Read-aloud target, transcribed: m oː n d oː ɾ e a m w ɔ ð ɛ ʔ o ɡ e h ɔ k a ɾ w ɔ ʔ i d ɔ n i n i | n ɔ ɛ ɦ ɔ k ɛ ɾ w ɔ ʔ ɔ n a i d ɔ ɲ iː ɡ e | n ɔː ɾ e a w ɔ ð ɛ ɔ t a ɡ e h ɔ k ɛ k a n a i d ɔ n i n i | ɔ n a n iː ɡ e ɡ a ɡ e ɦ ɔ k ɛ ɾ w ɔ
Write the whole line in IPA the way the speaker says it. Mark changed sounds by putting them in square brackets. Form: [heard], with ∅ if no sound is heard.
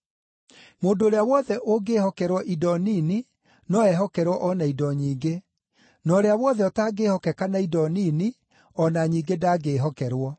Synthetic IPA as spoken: m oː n d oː ɾ e a [∅] w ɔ ð ɛ ʔ o ɡ e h ɔ k [ɛ] ɾ w ɔ ʔ i d ɔ n i n i | n ɔ ɛ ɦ ɔ k ɛ ɾ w ɔ ʔ ɔ n a i d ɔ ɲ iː ɡ e | n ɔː ɾ e a w ɔ ð ɛ ɔ t a ɡ e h ɔ k ɛ k a n a i d ɔ n i n i | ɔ n a [ɲ] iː ɡ e [d] a ɡ e ɦ ɔ k ɛ ɾ w ɔ